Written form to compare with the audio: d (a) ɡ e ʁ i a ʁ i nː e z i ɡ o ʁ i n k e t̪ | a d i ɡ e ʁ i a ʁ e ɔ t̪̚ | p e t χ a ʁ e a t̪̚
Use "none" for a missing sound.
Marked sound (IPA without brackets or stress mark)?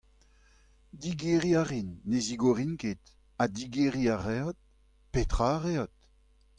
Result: i